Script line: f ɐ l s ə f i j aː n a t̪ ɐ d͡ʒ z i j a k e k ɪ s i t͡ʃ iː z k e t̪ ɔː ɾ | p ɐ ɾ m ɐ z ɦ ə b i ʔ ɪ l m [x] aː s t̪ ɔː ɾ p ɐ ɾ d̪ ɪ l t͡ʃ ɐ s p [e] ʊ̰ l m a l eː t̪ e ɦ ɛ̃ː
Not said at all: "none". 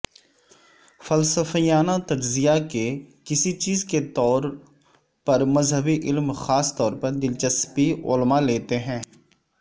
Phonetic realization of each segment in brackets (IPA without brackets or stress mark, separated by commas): x, i